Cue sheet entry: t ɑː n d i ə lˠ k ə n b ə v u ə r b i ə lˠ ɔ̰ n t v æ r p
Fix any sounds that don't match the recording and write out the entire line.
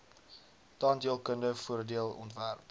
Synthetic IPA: t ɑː n d i ə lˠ k ə n d ə f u ə r d i ə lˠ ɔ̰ n t v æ r p